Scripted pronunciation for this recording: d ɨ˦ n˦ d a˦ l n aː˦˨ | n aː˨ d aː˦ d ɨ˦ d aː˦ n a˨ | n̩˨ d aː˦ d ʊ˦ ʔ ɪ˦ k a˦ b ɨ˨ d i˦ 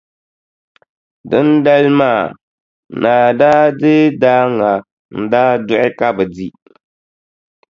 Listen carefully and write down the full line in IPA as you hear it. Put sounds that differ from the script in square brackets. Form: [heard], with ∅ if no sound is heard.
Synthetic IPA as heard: d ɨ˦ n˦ d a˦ l [m] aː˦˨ | n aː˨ d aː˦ d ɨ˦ d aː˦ [ŋ] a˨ | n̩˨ d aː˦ d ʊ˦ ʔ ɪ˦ k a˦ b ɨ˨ d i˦

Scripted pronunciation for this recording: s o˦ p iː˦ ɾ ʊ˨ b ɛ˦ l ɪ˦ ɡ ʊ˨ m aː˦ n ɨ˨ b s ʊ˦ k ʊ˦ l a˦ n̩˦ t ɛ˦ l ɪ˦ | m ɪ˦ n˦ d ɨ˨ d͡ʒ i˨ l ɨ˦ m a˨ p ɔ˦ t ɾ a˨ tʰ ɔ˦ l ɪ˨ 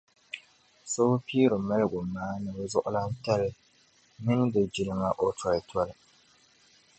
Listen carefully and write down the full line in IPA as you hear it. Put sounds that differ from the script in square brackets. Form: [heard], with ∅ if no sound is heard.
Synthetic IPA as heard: s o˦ p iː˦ ɾ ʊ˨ [m] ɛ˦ l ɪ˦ ɡ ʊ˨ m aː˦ n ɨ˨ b [z] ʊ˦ [ʔ] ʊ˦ l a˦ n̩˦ t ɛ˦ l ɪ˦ | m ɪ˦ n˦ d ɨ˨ d͡ʒ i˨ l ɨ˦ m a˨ [ʔ] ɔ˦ t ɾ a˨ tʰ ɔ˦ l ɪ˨

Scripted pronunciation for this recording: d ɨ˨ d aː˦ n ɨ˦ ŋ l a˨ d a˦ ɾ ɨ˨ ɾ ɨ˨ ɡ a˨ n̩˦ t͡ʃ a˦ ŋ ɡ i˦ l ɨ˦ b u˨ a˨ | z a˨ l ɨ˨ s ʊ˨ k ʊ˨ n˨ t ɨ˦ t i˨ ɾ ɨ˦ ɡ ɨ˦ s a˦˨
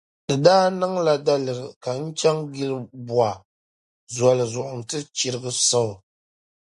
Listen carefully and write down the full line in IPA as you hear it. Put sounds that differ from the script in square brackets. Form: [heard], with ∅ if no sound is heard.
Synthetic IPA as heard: d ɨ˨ d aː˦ n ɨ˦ ŋ l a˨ d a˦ [l] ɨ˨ ɾ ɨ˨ [k] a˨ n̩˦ t͡ʃ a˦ ŋ ɡ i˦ l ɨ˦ b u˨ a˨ | z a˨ l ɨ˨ [z] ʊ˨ [ʔ] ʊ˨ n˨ t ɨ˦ [t͡ʃ] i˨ ɾ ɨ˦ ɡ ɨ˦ s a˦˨

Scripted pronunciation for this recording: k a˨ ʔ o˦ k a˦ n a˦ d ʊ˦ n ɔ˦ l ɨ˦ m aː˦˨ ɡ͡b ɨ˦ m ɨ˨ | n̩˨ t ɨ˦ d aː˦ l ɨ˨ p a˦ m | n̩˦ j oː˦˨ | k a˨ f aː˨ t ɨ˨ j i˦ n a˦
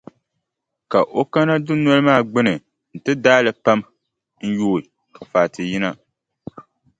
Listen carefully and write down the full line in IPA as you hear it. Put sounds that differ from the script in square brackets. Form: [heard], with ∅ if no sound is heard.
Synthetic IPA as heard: k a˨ ʔ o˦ k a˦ n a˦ d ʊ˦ n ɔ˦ l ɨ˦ m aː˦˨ ɡ͡b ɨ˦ [n] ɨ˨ | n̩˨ t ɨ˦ d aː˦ l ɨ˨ p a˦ m | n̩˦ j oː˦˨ | k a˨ f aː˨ t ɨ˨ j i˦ n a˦

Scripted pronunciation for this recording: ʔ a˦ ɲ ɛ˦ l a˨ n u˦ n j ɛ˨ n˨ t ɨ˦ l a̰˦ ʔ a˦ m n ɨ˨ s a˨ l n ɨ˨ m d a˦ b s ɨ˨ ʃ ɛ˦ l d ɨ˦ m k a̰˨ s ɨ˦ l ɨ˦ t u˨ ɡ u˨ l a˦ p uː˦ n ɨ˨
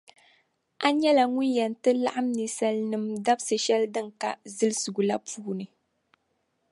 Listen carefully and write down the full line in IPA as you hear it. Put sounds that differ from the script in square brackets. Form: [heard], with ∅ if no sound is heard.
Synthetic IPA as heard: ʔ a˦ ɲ ɛ˦ l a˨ [ŋ] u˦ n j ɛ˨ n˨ t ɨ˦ l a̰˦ ʔ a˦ m n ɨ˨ s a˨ l n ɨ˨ m d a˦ b s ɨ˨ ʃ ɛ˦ l d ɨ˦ [ŋ] k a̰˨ [z] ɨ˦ l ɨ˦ [s] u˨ ɡ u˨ l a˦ p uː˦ n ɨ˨

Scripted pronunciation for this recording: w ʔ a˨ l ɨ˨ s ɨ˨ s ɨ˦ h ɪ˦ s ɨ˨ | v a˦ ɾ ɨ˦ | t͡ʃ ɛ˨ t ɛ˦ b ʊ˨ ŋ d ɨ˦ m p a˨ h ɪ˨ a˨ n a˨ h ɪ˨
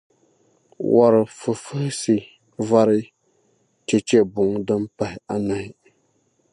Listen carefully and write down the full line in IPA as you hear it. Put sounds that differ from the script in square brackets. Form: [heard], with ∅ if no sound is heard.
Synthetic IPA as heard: w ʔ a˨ [ɾ] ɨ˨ [f] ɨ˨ [f] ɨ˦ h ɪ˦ s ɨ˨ | v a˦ ɾ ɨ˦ | t͡ʃ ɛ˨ [t͡ʃ] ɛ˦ b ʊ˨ ŋ d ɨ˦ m p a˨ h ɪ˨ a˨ n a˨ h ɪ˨

